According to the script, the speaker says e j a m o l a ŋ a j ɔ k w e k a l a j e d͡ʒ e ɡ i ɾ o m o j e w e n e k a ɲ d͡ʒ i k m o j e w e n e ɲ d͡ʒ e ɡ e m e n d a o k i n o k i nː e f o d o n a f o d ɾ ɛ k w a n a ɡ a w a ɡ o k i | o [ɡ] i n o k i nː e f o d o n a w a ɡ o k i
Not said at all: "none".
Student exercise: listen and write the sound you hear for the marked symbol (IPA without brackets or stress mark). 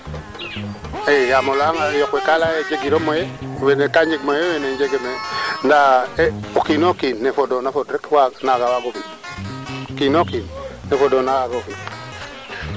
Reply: k